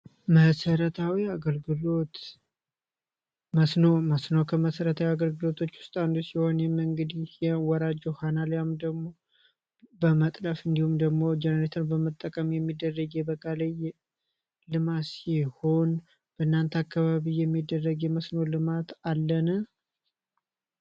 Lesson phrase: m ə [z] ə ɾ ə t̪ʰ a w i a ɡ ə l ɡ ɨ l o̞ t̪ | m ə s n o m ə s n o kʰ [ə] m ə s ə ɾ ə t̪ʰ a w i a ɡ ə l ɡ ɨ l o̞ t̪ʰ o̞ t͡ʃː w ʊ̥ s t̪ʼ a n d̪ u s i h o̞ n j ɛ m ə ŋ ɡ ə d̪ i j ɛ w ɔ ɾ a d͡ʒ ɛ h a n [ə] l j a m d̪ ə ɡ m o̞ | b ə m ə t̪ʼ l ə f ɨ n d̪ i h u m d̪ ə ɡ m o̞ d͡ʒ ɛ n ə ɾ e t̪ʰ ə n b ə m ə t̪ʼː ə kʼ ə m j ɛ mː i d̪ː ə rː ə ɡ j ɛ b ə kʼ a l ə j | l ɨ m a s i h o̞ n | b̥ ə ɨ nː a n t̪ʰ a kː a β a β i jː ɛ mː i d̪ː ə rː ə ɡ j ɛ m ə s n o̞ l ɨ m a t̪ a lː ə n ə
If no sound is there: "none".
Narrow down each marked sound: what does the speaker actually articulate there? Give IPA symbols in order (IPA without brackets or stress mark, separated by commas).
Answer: s, ə, a